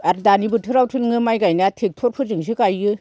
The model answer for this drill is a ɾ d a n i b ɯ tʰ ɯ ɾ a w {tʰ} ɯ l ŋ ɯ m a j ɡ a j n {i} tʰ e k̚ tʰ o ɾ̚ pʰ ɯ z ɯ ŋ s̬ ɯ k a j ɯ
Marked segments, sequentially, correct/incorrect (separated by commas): correct, incorrect